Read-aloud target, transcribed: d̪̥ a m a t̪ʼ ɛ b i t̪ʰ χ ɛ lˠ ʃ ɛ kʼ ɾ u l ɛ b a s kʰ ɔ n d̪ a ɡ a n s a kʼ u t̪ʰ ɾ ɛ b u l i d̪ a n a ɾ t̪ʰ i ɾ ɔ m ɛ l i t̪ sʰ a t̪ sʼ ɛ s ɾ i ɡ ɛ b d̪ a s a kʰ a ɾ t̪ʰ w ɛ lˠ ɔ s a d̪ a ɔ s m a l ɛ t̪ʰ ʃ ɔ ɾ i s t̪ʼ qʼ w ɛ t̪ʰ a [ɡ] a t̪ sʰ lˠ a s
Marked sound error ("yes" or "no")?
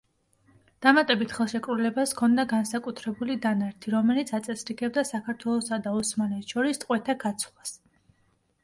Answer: no